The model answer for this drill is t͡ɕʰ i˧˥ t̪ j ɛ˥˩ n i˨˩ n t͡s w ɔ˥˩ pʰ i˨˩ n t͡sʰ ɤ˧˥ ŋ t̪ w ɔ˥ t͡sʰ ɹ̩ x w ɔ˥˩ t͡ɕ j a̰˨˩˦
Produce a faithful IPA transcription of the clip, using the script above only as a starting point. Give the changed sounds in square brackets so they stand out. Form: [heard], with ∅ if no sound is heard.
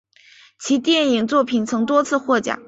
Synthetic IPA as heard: t͡ɕʰ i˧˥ t̪ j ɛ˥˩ n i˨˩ [ŋ] t͡s w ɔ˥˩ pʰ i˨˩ n t͡sʰ ɤ˧˥ ŋ t̪ w ɔ˥ t͡sʰ ɹ̩ x w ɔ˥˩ t͡ɕ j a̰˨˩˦

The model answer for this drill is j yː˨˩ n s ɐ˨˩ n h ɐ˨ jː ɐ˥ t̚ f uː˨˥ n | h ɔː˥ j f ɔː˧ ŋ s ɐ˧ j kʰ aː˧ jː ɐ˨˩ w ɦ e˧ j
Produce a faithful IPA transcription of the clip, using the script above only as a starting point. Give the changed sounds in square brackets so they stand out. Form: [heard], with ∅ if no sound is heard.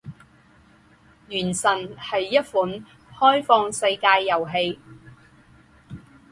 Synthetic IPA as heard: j yː˨˩ n s ɐ˨˩ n h ɐ˨ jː ɐ˥ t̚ f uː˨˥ n | h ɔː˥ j f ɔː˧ ŋ s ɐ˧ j [k] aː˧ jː ɐ˨˩ w ɦ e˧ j

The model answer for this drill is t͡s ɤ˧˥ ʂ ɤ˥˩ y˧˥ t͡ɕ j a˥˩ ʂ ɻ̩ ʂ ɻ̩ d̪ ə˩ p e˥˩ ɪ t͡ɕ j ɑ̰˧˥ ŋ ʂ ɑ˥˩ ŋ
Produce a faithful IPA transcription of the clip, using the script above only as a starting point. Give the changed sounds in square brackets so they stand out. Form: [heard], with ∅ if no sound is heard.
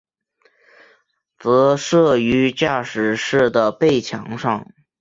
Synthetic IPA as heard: t͡s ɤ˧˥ ʂ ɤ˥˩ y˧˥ t͡ɕ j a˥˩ ʂ ɻ̩ ʂ ɻ̩ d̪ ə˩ p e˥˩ ɪ [t͡ɕʰ] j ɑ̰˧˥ ŋ ʂ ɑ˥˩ ŋ

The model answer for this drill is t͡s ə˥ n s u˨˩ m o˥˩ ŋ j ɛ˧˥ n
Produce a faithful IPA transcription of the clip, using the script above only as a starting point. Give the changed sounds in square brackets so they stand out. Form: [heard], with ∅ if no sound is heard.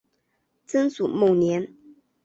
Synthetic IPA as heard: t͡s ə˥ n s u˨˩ m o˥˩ [n] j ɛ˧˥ n

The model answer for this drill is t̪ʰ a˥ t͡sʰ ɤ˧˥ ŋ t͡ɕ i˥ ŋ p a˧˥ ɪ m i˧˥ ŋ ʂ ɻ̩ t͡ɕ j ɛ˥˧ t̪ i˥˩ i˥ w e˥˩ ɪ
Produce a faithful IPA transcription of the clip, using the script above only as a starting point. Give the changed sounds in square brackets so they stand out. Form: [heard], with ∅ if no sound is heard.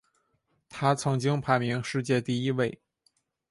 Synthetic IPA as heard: t̪ʰ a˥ t͡sʰ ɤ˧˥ ŋ t͡ɕ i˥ ŋ [pʰ] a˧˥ ɪ m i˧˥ ŋ ʂ ɻ̩ t͡ɕ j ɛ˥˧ t̪ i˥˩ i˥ w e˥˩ ɪ

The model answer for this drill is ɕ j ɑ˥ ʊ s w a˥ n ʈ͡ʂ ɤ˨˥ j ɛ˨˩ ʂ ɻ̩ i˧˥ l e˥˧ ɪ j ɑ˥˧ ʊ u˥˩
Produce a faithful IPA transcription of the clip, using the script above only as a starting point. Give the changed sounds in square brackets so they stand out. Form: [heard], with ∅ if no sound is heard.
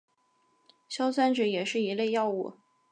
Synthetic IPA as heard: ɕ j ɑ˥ ʊ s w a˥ n ʈ͡ʂ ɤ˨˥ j ɛ˨˩ ʂ ɻ̩ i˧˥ l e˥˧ ɪ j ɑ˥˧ ʊ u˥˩

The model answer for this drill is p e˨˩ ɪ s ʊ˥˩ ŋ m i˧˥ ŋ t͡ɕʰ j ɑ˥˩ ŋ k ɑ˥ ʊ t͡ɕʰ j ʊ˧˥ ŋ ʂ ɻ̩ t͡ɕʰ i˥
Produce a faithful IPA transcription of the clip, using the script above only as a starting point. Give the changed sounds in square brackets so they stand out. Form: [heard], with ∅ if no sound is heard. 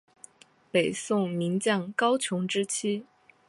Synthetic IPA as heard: p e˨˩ ɪ s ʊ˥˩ ŋ m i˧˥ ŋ [t͡ɕ] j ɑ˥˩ ŋ k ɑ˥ ʊ t͡ɕʰ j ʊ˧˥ ŋ [ʈ͡ʂ] ɻ̩ t͡ɕʰ i˥

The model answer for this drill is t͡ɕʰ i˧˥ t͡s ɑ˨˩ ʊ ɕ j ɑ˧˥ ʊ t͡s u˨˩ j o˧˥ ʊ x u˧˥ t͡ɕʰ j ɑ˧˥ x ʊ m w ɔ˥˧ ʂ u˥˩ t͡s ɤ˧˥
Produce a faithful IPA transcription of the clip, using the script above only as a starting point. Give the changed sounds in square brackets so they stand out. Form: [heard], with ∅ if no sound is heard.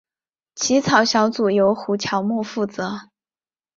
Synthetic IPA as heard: t͡ɕʰ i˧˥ [t͡sʰ] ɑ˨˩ ʊ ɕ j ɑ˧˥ ʊ t͡s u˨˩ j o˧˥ ʊ x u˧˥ t͡ɕʰ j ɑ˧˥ [∅] ʊ m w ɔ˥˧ [f] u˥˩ t͡s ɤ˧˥

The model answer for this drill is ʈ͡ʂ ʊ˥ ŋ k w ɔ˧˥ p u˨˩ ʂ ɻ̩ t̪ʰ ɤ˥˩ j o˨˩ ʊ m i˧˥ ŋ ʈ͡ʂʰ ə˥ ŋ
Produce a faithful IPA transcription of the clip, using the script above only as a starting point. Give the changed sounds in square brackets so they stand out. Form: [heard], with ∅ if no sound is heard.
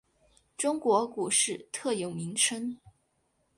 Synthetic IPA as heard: ʈ͡ʂ ʊ˥ ŋ k w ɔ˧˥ [k] u˨˩ ʂ ɻ̩ t̪ʰ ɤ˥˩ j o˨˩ ʊ m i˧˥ ŋ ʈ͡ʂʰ ə˥ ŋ

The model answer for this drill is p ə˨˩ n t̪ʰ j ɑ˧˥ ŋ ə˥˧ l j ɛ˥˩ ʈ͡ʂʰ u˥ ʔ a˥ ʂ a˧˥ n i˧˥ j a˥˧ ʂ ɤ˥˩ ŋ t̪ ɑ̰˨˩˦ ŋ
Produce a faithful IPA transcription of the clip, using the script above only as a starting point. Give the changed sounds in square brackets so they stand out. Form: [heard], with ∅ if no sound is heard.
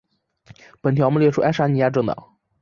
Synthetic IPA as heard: p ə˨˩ n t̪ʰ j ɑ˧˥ [m] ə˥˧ l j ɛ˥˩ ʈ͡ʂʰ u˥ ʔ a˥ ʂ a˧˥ n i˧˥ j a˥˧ [ʈ͡ʂ] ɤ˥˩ ŋ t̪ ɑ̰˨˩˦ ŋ

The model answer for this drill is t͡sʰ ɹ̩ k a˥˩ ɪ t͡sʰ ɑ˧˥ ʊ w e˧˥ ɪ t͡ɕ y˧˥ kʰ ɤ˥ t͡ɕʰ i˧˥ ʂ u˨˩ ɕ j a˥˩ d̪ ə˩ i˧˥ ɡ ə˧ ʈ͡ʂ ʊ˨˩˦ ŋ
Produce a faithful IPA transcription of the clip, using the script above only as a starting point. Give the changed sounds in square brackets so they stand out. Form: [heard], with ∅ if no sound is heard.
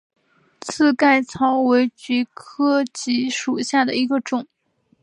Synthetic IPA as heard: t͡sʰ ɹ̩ k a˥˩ ɪ t͡sʰ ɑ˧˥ ʊ w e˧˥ ɪ t͡ɕ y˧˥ kʰ ɤ˥ [t͡ɕ] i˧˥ ʂ u˨˩ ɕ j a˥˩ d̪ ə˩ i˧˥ ɡ ə˧ ʈ͡ʂ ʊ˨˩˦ ŋ

